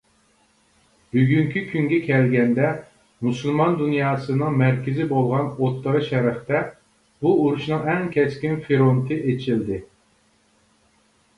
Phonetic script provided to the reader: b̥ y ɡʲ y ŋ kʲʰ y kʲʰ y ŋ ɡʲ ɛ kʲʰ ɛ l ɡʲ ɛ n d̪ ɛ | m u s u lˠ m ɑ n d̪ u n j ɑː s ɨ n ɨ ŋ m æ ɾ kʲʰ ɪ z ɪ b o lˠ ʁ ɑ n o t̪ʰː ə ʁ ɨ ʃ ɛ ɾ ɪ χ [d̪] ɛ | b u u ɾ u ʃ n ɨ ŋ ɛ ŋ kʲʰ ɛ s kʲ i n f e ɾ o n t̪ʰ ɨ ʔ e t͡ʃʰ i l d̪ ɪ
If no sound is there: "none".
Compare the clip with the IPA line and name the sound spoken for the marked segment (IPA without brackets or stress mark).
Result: t̪